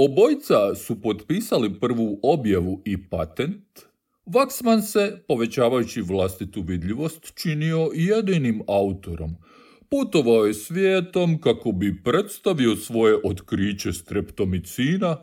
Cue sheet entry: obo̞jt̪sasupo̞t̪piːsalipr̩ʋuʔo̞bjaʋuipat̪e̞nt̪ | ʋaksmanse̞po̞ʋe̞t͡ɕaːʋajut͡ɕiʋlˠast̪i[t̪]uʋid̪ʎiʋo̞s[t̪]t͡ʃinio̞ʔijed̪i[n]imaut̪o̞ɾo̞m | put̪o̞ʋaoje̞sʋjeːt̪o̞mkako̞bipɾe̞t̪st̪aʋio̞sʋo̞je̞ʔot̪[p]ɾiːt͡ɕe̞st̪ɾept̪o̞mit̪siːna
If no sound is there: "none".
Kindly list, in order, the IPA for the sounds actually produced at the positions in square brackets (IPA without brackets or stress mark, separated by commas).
t̪, t̪, n, k